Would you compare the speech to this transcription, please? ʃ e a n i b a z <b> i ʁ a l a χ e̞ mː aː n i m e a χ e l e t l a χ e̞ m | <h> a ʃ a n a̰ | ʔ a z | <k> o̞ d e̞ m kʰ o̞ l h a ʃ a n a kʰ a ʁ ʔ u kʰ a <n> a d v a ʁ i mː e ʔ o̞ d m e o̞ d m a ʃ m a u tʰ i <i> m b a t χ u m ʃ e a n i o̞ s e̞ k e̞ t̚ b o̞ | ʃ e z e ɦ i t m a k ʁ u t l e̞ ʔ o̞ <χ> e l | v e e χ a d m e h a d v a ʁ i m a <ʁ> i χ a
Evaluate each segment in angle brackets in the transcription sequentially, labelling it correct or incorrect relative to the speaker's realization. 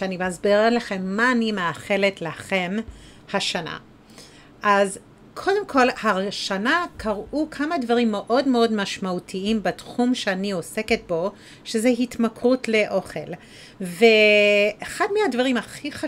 correct, correct, incorrect: kʰ, incorrect: m, correct, correct, incorrect: χ

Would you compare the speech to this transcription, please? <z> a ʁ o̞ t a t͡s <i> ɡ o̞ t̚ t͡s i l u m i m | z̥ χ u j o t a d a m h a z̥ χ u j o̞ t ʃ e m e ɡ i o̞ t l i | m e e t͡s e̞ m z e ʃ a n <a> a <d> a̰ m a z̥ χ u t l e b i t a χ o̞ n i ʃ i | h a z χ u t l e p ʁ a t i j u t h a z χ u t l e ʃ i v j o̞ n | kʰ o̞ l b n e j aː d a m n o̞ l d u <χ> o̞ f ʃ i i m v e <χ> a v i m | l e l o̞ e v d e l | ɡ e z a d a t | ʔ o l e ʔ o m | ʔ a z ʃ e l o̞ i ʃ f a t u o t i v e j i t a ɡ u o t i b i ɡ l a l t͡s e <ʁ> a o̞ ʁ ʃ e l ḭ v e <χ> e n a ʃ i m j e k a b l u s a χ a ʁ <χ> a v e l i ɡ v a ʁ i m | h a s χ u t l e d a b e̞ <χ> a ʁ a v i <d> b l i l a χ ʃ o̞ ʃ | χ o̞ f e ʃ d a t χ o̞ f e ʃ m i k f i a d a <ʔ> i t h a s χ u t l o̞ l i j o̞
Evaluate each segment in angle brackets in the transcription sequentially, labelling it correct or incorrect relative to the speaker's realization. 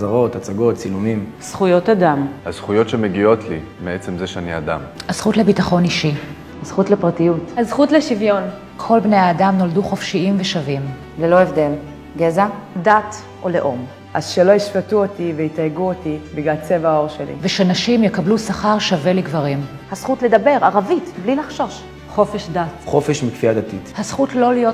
correct, incorrect: a, incorrect: i, correct, correct, incorrect: ʃ, incorrect: v, incorrect: ʃ, incorrect: ʃ, incorrect: ʁ, incorrect: t, incorrect: t

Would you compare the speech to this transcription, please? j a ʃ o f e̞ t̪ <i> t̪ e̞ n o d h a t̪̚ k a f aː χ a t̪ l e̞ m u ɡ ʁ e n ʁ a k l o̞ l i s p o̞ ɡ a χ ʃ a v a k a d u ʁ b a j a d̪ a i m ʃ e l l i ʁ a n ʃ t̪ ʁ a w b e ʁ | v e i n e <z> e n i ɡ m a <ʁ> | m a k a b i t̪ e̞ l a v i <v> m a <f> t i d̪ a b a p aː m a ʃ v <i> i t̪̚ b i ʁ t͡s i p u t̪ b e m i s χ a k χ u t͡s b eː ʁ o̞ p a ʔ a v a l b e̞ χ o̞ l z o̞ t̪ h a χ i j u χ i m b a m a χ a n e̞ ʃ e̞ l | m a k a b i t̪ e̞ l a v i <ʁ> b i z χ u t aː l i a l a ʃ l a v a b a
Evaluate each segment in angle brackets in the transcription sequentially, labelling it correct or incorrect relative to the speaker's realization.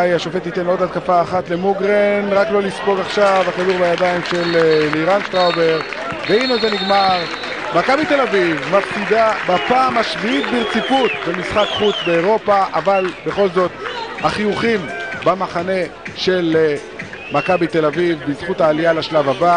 correct, correct, correct, correct, correct, correct, incorrect: v

